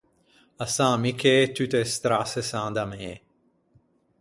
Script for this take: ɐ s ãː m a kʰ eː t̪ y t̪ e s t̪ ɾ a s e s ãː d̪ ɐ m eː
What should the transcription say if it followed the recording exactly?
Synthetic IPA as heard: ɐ s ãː m i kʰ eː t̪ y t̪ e s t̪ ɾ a s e s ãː d̪ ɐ m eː